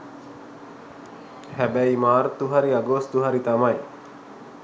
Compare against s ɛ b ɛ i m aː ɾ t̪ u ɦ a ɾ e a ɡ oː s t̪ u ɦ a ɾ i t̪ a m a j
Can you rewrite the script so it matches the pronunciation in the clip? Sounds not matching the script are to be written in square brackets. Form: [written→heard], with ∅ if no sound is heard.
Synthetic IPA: [s→h] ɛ b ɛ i m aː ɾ t̪ u ɦ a ɾ [e→i] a ɡ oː s t̪ u ɦ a ɾ i t̪ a m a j